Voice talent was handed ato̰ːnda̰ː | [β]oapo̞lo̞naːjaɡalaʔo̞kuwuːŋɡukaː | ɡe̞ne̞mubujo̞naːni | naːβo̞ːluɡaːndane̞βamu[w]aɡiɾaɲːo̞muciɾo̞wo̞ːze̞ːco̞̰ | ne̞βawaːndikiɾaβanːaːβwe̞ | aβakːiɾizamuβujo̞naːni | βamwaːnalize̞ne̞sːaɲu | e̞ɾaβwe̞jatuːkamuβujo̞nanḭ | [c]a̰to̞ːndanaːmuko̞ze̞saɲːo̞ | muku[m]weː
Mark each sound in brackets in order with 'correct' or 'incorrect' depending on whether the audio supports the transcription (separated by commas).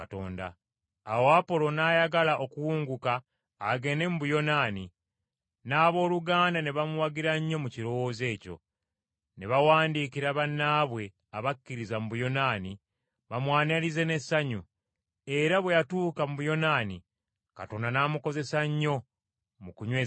incorrect, correct, incorrect, incorrect